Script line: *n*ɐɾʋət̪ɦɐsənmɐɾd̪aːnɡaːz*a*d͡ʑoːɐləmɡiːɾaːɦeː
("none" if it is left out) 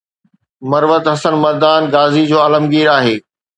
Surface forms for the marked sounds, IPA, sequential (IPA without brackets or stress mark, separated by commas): m, i